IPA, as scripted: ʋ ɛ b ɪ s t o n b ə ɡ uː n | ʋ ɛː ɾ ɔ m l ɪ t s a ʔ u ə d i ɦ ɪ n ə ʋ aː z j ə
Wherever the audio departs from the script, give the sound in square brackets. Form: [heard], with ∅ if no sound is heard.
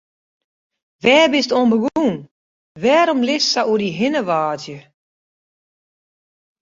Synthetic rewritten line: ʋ [ɛː] b ɪ s t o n b ə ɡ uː n | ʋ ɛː ɾ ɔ m l ɪ [s] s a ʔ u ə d i ɦ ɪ n ə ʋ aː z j ə